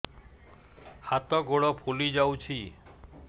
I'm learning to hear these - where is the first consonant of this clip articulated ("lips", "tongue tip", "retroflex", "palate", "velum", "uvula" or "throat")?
throat